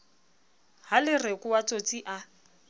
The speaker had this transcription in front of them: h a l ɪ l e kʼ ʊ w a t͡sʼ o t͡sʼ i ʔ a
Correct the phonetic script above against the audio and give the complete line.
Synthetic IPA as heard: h a l ɪ r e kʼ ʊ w a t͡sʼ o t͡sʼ i ʔ a